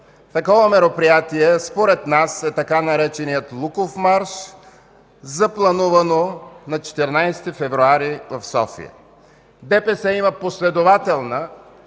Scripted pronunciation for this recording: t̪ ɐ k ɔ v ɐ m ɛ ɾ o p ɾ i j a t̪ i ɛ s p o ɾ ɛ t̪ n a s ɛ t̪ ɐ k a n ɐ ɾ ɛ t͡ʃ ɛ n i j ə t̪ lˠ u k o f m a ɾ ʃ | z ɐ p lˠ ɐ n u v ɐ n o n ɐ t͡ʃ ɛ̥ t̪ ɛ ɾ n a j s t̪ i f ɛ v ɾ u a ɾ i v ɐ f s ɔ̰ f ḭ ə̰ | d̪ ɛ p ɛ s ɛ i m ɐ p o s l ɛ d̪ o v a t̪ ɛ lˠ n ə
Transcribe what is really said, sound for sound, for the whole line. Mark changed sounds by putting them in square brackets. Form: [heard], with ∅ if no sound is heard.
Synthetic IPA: t̪ ɐ k ɔ v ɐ m ɛ ɾ o p ɾ i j a t̪ i ɛ s p o ɾ ɛ t̪ n a s ɛ t̪ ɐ k a n ɐ ɾ ɛ t͡ʃ ɛ n i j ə t̪ lˠ u k o f m a ɾ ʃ | z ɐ p lˠ ɐ n u v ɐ n o n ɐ t͡ʃ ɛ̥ t̪ ɛ ɾ n a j s t̪ i f ɛ v ɾ u a ɾ i v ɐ f s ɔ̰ f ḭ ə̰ | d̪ ɛ p ɛ s ɛ i m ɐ p o s l ɛ d̪ o v a t̪ ɛ lˠ n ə

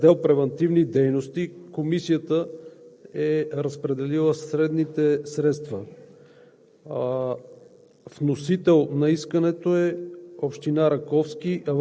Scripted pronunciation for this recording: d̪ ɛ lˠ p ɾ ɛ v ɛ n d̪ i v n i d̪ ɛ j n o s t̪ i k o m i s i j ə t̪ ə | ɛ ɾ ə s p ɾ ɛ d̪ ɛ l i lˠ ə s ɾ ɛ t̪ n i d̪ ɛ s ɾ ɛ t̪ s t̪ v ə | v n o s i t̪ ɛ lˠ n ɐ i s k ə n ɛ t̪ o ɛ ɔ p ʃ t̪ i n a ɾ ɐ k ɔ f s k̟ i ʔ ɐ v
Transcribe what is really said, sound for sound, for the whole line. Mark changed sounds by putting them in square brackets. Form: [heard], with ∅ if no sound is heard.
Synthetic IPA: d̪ ɛ lˠ p ɾ ɛ v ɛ n [t̪] i v n i d̪ ɛ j n o s t̪ i k o m i s i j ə t̪ ə | ɛ ɾ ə s p ɾ ɛ d̪ ɛ l i lˠ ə s ɾ ɛ [d̪] n i [t̪] ɛ s ɾ ɛ t̪ s t̪ v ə | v n o s i t̪ ɛ lˠ n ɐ i s k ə n ɛ t̪ o ɛ [o] p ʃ t̪ i n a ɾ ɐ k ɔ f s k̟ i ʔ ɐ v

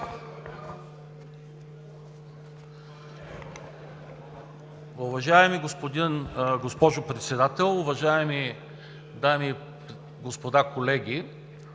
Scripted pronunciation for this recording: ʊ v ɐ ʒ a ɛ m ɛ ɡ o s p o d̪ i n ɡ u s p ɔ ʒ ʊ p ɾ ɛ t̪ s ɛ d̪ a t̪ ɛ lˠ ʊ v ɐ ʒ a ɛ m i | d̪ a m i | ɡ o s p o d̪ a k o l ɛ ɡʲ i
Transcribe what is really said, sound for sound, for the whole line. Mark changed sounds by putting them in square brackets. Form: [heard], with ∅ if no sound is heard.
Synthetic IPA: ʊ v ɐ ʒ a ɛ m [i] ɡ o s p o d̪ i n ɡ [o] s p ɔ ʒ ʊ p ɾ ɛ t̪ s ɛ d̪ a t̪ ɛ lˠ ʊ v ɐ ʒ a ɛ m i | d̪ a m i | ɡ o s p o d̪ a k o l ɛ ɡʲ i

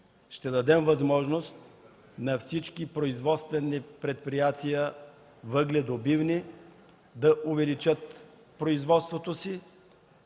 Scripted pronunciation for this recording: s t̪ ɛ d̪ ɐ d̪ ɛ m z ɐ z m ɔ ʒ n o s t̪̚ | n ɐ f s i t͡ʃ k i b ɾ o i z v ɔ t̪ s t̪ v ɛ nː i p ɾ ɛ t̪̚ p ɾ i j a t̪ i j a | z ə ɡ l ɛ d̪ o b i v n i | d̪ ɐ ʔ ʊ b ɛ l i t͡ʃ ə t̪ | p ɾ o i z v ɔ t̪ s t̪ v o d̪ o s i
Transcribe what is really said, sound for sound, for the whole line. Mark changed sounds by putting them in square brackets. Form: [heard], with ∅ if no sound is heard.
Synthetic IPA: [ʃ] t̪ ɛ d̪ ɐ d̪ ɛ m [v] ɐ z m ɔ ʒ n o s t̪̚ | n ɐ f s i t͡ʃ k i [p] ɾ o i z v ɔ t̪ s t̪ v ɛ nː i p ɾ ɛ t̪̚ p ɾ i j a t̪ i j [ə] | [v] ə ɡ l ɛ d̪ o b i v n i | d̪ ɐ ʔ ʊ [v] ɛ l i t͡ʃ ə t̪ | p ɾ o i z v ɔ t̪ s t̪ v o [t̪] o s i

